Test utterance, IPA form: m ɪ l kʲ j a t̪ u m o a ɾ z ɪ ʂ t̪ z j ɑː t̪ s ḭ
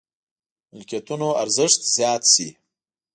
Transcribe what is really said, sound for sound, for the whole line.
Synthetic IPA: m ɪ l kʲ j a t̪ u n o a ɾ z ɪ ʂ t̪ z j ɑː t̪ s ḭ